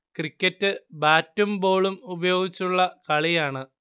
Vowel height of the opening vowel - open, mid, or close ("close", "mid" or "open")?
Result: close